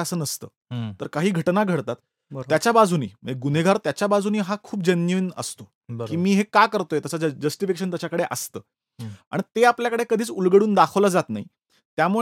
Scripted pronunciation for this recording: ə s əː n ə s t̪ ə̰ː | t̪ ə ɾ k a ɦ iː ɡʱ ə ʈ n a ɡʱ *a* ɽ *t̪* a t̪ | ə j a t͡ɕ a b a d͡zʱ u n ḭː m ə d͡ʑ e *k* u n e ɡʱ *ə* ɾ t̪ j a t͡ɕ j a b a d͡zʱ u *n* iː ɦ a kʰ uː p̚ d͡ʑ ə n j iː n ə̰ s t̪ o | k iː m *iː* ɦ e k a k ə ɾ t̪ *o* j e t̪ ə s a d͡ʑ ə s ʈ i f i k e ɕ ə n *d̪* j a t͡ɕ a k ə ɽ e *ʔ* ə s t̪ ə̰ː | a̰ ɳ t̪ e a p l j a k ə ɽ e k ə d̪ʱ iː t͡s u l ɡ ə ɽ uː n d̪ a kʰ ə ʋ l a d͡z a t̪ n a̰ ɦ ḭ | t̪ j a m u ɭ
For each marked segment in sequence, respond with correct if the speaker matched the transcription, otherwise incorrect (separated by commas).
incorrect, correct, incorrect, incorrect, correct, correct, correct, incorrect, correct